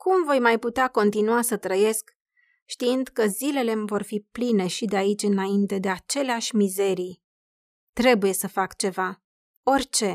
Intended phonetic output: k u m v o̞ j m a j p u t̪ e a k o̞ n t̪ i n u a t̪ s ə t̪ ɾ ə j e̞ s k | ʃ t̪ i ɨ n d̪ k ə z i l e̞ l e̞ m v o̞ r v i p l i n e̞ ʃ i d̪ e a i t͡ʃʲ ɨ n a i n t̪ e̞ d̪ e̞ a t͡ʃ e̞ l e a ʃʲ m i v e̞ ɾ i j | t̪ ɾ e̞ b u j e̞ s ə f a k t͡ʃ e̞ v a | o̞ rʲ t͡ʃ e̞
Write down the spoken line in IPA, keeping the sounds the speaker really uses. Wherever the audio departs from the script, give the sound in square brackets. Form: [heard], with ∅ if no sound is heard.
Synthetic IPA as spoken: k u m v o̞ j m a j p u t̪ e a k o̞ n t̪ i n u a [∅] s ə t̪ ɾ ə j e̞ s k | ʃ t̪ i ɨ n d̪ k ə z i l e̞ l e̞ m v o̞ r [f] i p l i n e̞ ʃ i d̪ e a i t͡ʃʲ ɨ n a i n t̪ e̞ d̪ e̞ a t͡ʃ e̞ l e a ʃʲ m i [z] e̞ ɾ i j | t̪ ɾ e̞ b u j e̞ s ə f a k t͡ʃ e̞ v a | o̞ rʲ t͡ʃ e̞